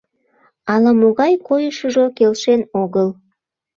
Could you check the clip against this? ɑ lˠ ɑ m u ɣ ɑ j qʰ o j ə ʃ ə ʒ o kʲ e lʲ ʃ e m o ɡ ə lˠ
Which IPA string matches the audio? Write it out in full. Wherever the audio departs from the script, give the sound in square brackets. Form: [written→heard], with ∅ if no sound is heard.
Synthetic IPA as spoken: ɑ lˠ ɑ m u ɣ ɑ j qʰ o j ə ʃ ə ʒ o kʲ e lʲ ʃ e [m→n] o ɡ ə lˠ